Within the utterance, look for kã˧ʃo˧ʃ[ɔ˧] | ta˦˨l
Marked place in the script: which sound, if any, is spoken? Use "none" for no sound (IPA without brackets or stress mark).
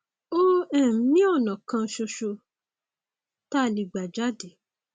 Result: o˧